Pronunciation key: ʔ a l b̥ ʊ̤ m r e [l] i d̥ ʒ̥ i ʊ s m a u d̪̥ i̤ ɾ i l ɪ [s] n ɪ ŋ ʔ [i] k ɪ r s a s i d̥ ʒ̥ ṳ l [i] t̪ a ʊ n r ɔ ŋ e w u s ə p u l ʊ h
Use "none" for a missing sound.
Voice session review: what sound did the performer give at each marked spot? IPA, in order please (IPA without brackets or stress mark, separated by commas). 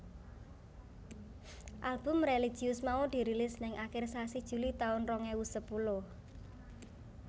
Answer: l, s, a, i